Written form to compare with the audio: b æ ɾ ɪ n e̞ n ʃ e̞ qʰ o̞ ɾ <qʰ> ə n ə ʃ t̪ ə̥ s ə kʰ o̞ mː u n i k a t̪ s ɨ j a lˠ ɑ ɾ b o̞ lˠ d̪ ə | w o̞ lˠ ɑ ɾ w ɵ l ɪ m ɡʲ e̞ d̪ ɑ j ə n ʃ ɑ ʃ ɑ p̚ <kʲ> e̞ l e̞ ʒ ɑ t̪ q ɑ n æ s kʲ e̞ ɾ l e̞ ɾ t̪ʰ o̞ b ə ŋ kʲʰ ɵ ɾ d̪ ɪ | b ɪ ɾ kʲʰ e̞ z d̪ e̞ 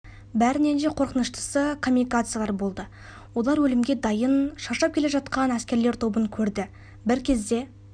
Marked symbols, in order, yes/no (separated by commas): no, yes